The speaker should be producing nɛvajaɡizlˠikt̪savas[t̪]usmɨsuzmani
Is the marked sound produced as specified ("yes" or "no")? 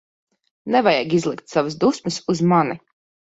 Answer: no